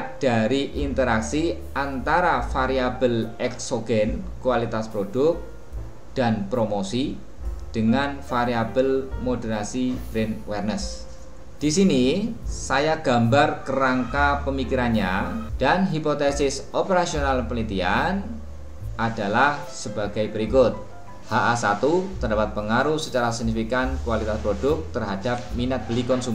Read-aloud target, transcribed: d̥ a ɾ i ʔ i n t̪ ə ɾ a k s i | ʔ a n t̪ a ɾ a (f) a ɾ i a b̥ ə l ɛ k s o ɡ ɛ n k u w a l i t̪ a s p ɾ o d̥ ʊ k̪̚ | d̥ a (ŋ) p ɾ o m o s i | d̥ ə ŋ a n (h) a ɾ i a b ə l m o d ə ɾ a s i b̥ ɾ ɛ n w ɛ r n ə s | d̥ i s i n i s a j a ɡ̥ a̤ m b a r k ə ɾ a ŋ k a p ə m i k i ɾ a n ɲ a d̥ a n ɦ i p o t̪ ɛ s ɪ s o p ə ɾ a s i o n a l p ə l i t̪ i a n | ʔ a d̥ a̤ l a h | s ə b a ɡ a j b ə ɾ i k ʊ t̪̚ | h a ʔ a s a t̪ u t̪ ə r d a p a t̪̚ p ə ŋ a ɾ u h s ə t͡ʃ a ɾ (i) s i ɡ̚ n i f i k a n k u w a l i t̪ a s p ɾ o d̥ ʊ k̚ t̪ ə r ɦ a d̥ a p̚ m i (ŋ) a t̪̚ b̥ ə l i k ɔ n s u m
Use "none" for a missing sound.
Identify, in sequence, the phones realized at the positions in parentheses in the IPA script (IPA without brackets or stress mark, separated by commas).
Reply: f, n, f, a, n